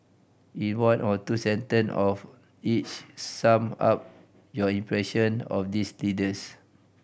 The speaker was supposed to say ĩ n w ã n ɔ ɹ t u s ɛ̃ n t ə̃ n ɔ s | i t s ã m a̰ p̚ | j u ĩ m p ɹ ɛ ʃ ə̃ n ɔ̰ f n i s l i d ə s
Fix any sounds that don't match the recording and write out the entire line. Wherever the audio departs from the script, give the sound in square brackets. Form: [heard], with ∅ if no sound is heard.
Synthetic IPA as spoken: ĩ n w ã n ɔ [∅] t u s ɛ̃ n t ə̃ n ɔ [f] | i [t͡ʃ] s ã m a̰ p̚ | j [ɔ] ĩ m p ɹ ɛ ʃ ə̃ n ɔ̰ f [d] i s l i d ə s